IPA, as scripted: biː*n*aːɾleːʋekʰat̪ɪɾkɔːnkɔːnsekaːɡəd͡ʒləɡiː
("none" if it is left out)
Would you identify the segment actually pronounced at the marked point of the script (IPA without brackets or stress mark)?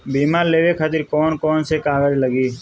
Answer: m